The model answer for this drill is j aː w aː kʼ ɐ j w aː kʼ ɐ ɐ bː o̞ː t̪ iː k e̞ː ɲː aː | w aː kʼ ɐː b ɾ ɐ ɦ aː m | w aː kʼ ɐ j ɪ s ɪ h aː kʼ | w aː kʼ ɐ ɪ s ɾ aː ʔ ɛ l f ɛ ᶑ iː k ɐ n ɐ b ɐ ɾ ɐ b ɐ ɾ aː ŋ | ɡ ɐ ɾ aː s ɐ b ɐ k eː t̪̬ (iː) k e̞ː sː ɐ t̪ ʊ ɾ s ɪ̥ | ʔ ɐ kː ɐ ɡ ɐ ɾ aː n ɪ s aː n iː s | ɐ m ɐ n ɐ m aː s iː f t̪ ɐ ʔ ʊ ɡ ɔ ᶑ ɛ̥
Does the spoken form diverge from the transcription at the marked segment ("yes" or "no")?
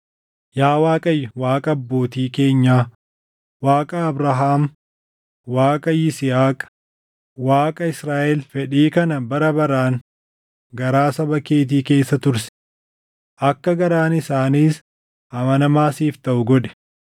no